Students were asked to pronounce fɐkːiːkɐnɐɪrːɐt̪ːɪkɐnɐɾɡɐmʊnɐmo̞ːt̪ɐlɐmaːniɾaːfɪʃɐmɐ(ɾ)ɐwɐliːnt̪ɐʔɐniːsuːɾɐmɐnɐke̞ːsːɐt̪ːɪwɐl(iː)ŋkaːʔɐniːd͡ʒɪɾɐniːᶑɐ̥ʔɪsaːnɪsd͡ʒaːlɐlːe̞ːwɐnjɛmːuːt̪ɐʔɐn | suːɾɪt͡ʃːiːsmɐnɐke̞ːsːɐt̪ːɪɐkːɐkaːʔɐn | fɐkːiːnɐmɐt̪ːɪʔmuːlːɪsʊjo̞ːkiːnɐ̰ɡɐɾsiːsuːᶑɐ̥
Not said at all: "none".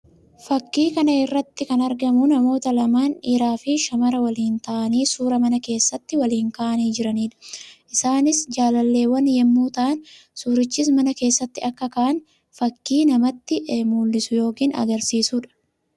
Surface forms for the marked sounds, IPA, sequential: ɾ, iː

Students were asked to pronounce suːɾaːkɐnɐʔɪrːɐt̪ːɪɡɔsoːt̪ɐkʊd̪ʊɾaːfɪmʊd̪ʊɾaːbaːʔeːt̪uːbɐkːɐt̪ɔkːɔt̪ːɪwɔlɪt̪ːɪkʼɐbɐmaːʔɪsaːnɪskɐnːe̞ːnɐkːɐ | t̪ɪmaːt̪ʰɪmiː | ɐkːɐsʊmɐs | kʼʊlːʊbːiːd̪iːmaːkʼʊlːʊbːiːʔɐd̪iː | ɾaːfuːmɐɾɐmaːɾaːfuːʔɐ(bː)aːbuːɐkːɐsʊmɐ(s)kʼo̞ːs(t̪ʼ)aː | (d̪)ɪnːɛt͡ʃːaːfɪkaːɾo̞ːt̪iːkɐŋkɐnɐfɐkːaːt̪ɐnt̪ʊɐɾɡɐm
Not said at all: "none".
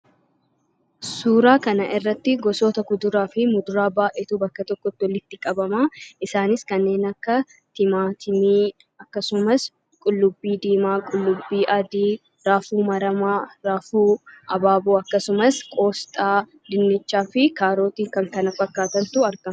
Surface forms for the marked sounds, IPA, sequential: b, s, t̪ʼ, d̪

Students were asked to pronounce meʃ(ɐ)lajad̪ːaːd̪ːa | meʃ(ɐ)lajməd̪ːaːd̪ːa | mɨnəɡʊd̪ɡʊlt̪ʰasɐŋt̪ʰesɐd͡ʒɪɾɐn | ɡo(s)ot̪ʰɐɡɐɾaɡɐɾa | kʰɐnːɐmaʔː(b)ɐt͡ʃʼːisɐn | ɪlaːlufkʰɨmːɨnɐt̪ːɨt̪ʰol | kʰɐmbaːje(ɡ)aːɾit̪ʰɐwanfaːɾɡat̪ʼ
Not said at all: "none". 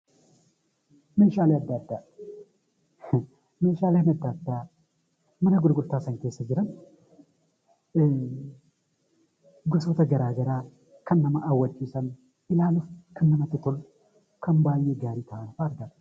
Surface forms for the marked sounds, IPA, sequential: a, a, s, w, ɡ

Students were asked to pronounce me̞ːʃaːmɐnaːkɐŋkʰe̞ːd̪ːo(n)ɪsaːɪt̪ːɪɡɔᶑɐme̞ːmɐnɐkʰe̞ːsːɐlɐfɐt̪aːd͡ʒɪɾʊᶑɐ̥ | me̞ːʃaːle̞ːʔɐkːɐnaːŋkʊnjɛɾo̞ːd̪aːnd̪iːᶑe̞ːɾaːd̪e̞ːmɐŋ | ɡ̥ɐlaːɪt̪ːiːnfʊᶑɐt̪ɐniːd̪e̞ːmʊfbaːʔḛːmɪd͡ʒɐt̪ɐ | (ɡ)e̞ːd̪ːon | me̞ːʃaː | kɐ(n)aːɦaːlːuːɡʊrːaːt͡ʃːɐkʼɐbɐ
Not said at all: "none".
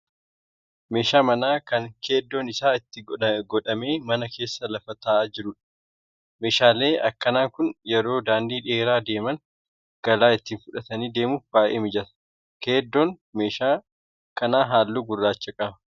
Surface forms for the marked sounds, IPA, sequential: n, k, n

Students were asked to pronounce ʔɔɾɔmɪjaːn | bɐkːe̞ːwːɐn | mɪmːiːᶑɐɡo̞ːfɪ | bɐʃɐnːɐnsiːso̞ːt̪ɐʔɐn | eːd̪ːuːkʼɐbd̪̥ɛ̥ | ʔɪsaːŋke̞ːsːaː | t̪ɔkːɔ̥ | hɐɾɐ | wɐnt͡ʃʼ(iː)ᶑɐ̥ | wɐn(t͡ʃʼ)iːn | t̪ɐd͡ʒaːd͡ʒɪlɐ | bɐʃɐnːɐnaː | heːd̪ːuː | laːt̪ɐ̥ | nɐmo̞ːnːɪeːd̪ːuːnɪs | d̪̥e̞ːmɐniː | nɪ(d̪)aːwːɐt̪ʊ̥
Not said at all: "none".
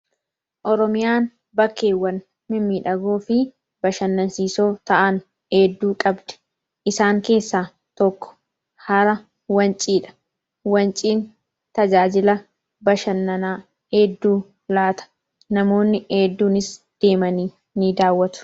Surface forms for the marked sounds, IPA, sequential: iː, t͡ʃʼ, d̪

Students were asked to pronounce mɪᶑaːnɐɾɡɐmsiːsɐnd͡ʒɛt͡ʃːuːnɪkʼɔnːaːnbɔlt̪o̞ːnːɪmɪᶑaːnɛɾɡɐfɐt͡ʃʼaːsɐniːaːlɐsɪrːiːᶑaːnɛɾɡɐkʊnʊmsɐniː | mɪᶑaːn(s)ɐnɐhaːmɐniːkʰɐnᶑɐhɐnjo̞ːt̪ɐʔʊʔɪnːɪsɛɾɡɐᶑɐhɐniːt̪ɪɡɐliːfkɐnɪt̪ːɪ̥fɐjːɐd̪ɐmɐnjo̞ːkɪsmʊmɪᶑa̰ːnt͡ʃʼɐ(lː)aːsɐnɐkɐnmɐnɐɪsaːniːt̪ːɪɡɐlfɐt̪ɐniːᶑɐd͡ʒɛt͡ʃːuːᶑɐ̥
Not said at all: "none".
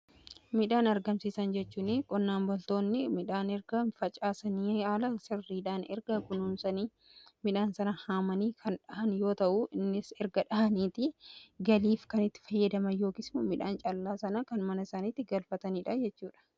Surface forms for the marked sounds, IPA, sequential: s, lː

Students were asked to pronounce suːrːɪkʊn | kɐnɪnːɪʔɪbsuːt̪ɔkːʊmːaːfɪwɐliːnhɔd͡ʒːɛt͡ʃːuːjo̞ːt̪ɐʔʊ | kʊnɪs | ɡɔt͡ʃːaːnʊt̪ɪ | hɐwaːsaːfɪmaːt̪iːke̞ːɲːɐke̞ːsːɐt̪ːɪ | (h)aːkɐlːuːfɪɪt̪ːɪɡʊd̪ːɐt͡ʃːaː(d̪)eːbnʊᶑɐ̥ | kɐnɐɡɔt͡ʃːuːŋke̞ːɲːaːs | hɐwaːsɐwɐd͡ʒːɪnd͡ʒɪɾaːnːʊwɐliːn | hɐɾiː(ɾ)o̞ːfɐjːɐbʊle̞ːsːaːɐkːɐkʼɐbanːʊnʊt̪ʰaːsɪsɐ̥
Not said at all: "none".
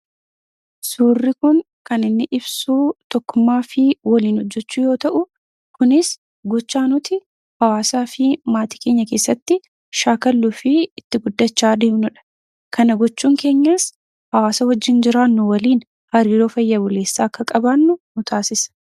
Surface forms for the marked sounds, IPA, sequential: ʃ, d̪, ɾ

